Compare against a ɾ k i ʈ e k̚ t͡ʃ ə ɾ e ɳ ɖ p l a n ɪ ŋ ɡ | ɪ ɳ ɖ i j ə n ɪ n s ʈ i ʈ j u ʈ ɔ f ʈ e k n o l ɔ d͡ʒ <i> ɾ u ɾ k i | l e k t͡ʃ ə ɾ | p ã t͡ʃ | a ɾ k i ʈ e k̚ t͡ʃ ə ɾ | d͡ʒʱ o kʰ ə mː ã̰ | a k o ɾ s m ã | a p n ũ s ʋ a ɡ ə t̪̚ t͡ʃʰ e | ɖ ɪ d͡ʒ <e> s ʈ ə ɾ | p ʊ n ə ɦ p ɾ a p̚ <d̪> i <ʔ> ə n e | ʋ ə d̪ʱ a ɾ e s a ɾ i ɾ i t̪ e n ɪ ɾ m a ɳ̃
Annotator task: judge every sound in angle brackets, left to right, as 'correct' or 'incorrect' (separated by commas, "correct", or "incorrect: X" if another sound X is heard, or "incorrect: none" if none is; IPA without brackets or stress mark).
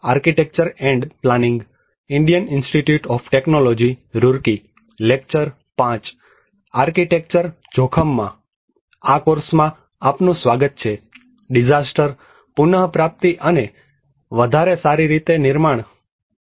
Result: correct, incorrect: a, incorrect: t̪, correct